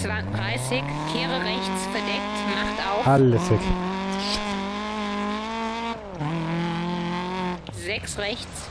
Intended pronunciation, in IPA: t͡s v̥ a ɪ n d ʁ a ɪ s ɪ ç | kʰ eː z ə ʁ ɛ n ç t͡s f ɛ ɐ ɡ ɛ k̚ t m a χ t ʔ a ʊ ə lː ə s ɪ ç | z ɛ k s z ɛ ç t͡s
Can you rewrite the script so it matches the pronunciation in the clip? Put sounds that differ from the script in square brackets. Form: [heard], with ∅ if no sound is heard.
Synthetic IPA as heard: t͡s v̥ a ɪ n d ʁ a ɪ s ɪ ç | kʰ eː [ʁ] ə ʁ ɛ [∅] ç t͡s f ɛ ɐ [d] ɛ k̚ t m a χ t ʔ a ʊ [a] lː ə s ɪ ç | z ɛ k s [ʁ] ɛ ç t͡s